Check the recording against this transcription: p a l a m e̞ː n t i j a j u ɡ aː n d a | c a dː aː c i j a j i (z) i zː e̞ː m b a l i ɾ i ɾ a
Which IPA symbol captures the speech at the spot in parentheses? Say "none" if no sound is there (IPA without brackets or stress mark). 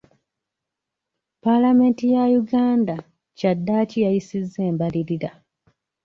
s